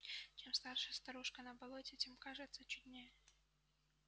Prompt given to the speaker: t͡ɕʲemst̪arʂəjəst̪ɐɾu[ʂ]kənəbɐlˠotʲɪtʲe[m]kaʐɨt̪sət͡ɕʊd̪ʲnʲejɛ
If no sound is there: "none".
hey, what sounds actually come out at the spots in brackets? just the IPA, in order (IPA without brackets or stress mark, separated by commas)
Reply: ʂ, m